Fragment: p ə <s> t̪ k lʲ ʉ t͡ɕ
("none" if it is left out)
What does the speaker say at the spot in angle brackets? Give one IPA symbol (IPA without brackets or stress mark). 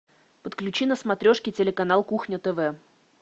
none